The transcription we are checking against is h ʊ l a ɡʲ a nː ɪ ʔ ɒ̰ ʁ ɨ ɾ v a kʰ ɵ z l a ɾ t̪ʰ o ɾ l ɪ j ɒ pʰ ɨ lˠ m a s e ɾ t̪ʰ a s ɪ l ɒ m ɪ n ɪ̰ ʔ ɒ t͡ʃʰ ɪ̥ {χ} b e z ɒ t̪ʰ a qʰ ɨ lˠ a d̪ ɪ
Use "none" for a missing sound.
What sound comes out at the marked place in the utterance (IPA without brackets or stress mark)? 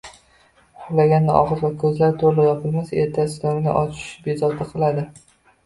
ʃ